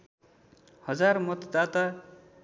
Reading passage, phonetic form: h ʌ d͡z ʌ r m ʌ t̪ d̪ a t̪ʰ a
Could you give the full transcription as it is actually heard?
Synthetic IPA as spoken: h ʌ d͡z a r m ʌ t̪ d̪ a t̪ a